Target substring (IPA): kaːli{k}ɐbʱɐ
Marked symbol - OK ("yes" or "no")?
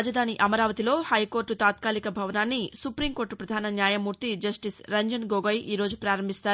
yes